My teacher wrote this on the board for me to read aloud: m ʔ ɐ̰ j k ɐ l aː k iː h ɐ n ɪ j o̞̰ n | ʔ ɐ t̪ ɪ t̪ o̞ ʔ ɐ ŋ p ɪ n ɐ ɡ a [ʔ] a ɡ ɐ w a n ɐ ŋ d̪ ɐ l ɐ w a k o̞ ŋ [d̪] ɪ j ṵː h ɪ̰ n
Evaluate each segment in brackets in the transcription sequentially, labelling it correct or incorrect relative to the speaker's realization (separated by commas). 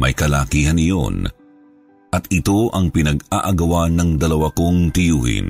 correct, incorrect